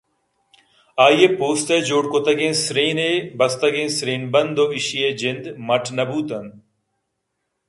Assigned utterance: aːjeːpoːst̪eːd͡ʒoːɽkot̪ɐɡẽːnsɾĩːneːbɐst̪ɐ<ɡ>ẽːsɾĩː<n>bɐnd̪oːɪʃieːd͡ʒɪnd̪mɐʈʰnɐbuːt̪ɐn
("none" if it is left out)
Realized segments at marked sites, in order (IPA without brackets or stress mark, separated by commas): ɡ, n